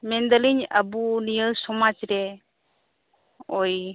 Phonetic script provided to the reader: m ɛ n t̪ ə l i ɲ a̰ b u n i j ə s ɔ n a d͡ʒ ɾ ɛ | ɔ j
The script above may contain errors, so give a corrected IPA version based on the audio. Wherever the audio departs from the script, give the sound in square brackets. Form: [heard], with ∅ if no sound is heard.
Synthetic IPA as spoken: m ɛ n [d̪] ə l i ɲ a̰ b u n i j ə s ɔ [m] a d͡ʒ ɾ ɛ | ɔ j